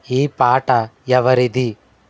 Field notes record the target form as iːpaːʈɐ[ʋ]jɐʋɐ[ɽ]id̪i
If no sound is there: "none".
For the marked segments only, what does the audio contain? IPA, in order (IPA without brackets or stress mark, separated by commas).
none, ɾ